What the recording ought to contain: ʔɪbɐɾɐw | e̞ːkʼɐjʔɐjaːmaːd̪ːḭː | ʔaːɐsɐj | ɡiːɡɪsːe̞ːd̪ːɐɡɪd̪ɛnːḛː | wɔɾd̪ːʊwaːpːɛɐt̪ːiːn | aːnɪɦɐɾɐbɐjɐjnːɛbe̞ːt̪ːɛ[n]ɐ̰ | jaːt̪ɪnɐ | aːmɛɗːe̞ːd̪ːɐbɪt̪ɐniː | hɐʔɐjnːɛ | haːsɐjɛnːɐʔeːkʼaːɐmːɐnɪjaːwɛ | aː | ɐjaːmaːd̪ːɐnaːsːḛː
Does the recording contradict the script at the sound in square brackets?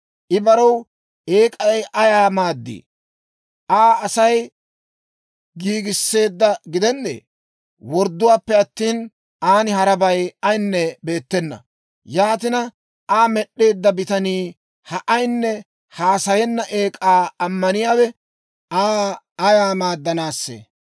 yes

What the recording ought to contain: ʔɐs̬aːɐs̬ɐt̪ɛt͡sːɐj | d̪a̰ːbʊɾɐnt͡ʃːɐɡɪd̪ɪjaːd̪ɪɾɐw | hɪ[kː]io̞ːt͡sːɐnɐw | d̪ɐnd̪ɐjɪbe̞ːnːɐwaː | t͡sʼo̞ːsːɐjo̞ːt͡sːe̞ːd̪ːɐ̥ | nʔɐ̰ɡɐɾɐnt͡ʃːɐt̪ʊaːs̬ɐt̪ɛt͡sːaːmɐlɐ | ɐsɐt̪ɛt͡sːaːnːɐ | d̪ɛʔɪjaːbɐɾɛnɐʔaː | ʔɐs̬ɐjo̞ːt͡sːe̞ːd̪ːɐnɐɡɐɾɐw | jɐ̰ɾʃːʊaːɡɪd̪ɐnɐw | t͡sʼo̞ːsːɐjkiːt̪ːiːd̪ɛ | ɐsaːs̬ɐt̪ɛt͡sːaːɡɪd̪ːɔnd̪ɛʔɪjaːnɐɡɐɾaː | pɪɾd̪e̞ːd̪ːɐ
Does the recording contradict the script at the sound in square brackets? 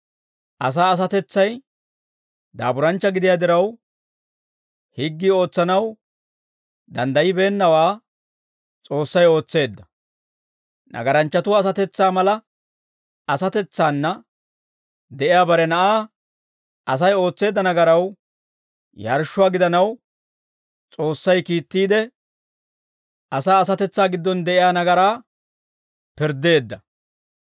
yes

